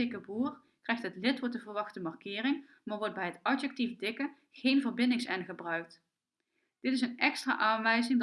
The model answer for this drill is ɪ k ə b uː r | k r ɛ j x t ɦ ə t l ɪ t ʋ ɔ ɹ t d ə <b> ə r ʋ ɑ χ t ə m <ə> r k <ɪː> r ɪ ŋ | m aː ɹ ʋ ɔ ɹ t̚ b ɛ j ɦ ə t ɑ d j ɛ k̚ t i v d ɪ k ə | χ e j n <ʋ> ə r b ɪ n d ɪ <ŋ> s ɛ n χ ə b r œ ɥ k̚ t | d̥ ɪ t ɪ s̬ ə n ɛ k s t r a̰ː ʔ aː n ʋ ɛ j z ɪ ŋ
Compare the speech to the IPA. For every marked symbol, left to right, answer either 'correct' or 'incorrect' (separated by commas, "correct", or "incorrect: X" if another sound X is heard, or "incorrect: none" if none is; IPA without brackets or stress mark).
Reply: incorrect: v, incorrect: ɑ, correct, incorrect: v, correct